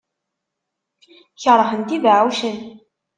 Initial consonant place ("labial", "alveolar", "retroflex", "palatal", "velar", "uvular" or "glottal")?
palatal